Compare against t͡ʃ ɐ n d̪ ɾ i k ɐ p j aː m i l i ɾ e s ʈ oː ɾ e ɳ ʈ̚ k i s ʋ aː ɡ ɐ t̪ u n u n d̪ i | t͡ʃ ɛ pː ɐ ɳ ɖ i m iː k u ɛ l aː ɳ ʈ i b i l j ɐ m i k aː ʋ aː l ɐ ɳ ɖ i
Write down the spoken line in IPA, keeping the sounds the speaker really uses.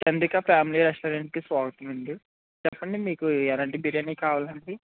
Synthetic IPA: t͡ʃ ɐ n d̪ ɾ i k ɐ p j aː m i l i ɾ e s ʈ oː ɾ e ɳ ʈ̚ k i s ʋ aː ɡ ɐ t̪ u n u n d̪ i | t͡ʃ ɛ pː ɐ ɳ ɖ i m iː k u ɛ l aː ɳ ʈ i b i ɾ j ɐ n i k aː ʋ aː l ɐ ɳ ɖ i